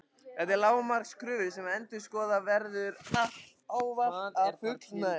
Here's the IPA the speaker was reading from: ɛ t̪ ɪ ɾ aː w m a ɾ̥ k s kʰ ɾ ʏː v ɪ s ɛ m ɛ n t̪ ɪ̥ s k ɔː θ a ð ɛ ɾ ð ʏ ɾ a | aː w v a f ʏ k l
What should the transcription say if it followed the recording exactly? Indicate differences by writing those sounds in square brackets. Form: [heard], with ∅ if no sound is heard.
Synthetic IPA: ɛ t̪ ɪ [l] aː w m a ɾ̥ k s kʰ ɾ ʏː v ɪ s ɛ m ɛ n t̪ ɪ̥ s k ɔː [ð] a [v] ɛ ɾ ð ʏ ɾ a | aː w v a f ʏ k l